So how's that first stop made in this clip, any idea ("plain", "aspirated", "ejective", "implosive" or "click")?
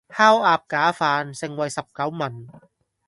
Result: plain